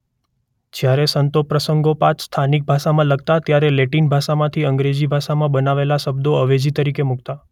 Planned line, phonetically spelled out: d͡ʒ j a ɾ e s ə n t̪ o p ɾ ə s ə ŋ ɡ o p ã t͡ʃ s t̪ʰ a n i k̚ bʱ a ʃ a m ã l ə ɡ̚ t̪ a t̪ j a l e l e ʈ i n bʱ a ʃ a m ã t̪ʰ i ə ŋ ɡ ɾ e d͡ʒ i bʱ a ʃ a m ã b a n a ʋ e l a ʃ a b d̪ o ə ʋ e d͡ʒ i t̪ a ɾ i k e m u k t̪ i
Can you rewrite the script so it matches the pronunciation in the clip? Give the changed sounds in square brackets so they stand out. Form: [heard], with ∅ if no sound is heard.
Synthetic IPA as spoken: d͡ʒ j a ɾ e s ə n t̪ o p ɾ ə s ə ŋ ɡ o p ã t͡ʃ s t̪ʰ a n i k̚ bʱ a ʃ a m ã l ə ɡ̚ t̪ a t̪ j a [ɾ] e l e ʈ i n bʱ a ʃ a m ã t̪ʰ i ə ŋ ɡ ɾ e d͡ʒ i bʱ a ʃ a m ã b [ə] n a ʋ e l a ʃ [ə] b d̪ o ə ʋ e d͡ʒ i t̪ [ə] ɾ i k e m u k t̪ [a]